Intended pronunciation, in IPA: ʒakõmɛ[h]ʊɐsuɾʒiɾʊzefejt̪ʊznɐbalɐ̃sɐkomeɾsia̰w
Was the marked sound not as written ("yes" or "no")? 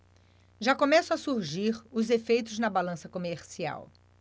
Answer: yes